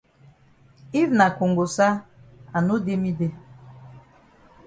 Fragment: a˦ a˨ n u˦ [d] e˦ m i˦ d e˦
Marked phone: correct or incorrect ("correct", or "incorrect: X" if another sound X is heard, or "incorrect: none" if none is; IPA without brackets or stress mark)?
correct